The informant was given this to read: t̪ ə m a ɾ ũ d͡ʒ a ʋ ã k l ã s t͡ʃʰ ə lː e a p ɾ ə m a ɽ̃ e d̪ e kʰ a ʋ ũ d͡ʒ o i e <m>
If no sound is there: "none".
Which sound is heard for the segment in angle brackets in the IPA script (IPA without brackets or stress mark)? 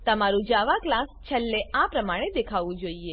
none